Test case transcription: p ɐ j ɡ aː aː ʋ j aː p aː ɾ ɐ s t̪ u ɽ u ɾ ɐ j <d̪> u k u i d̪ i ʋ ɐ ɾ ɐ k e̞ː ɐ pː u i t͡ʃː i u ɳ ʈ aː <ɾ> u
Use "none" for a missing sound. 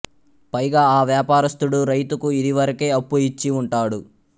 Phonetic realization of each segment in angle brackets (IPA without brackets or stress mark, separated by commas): t̪, ɽ